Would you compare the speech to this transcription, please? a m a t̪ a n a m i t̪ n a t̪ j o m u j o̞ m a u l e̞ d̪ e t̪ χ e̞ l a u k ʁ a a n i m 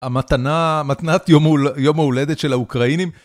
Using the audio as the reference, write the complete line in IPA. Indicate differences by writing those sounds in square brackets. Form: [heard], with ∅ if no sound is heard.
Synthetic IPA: a m a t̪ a n a m [a] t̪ n a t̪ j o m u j o̞ m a u l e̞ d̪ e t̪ [ʃ] e̞ l a u k ʁ a [i] n i m